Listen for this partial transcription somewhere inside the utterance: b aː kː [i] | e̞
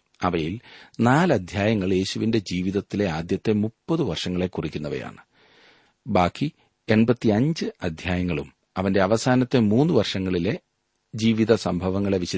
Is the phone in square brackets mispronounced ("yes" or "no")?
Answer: no